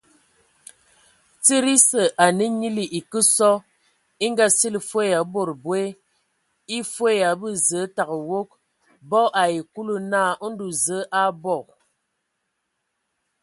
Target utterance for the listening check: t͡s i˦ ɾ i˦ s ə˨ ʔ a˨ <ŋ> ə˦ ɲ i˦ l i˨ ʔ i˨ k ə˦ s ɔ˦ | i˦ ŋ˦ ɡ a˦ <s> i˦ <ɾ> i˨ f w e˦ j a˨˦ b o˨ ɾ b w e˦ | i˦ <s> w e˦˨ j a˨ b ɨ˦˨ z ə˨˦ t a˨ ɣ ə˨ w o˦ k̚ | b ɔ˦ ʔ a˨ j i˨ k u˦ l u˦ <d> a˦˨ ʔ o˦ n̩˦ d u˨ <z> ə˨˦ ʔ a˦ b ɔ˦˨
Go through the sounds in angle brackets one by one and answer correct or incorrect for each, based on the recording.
incorrect, correct, incorrect, incorrect, incorrect, correct

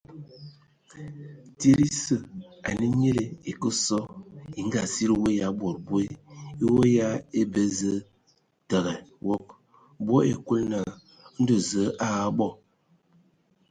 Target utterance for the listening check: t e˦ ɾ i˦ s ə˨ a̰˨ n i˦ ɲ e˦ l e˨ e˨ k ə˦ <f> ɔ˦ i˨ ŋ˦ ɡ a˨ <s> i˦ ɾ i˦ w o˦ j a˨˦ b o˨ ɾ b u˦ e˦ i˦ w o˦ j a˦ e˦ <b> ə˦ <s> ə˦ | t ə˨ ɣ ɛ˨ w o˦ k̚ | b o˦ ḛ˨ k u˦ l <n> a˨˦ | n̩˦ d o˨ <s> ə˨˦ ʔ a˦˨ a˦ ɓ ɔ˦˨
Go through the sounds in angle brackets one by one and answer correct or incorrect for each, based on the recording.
incorrect, correct, correct, incorrect, correct, incorrect

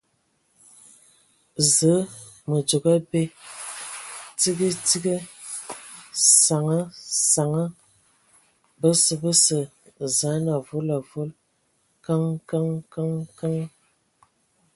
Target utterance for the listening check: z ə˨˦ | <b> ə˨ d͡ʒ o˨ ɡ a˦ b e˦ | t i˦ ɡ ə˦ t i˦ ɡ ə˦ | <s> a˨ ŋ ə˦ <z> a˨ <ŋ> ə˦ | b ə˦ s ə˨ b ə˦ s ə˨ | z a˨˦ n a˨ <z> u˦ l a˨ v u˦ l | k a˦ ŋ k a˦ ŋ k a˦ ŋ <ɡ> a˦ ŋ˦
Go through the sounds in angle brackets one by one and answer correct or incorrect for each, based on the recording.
incorrect, correct, incorrect, correct, incorrect, incorrect

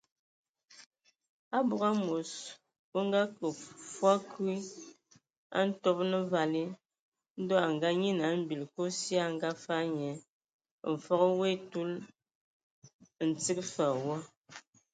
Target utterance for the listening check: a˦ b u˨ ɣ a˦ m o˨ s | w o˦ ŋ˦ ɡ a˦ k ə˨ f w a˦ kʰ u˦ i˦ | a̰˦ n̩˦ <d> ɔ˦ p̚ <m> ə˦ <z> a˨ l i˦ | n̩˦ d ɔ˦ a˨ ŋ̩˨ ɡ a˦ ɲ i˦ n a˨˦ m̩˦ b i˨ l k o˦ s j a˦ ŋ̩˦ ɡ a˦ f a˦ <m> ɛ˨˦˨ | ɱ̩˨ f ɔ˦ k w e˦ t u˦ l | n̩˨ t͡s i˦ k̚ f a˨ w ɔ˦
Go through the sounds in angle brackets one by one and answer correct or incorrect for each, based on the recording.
incorrect, incorrect, incorrect, incorrect

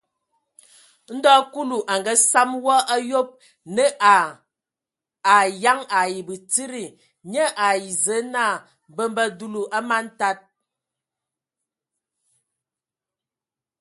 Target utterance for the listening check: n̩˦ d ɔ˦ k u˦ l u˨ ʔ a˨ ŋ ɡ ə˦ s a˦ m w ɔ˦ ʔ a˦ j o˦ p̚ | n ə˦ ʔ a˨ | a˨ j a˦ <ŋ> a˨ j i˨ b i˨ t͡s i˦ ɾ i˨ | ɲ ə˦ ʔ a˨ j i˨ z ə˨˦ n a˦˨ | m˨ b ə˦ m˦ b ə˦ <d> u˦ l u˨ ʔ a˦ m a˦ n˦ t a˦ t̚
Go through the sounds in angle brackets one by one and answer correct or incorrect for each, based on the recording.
correct, correct

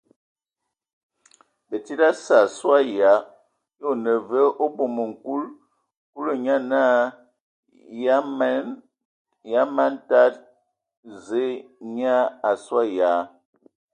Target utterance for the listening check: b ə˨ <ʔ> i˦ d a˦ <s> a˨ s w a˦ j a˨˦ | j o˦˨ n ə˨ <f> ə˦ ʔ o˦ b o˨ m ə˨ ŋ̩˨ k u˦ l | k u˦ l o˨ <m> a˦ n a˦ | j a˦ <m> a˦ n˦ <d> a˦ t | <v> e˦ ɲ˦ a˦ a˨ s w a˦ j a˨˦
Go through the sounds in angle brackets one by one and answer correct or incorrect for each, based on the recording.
incorrect, correct, incorrect, incorrect, correct, incorrect, incorrect

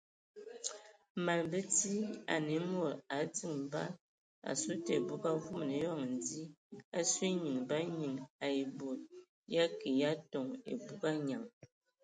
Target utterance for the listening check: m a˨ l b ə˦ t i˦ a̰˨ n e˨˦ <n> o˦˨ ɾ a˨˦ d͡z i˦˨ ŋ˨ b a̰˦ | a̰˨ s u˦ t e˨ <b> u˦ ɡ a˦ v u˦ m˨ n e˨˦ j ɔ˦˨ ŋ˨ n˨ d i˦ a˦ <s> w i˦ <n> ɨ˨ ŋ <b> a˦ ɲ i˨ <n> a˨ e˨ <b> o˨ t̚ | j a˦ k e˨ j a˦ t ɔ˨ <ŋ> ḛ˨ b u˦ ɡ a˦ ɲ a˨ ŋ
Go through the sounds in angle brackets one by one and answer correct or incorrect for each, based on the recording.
incorrect, correct, correct, incorrect, correct, incorrect, correct, correct

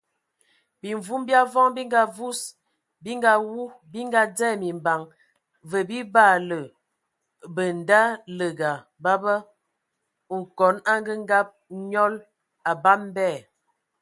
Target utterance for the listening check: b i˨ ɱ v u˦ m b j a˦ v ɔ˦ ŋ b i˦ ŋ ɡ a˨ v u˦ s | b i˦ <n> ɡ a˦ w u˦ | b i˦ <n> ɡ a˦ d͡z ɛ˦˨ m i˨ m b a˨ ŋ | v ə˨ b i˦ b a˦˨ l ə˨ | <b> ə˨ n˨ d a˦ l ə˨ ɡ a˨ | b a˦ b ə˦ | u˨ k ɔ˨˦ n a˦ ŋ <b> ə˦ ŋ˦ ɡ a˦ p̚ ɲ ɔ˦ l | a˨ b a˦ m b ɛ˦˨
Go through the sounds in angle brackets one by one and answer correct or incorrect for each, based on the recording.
incorrect, incorrect, correct, incorrect

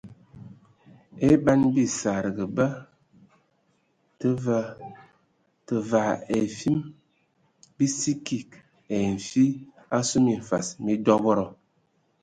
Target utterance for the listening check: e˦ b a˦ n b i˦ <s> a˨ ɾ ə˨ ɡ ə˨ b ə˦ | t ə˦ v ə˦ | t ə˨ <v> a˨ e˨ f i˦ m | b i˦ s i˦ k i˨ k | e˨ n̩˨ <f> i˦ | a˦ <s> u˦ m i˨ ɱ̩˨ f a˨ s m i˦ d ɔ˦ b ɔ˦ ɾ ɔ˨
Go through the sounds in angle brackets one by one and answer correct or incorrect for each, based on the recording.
correct, correct, correct, correct

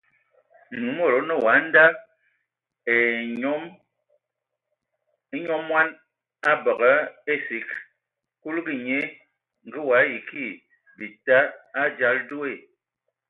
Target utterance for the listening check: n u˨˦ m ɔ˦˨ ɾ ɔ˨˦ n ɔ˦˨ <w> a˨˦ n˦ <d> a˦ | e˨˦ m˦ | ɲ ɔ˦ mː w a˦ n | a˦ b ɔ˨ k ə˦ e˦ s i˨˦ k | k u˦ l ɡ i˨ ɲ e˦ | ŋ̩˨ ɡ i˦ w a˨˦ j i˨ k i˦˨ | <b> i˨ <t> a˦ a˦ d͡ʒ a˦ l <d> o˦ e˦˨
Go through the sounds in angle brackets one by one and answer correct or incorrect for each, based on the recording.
correct, correct, correct, correct, correct

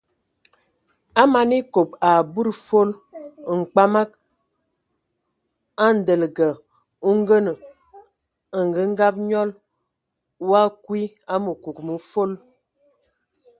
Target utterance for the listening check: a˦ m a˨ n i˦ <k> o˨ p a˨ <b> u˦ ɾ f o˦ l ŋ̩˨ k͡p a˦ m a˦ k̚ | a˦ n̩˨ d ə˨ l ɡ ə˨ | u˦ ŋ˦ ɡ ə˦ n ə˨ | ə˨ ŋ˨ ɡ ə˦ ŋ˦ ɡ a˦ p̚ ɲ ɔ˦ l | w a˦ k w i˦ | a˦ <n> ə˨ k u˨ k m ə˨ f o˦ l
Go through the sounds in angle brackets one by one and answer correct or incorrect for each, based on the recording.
correct, correct, incorrect

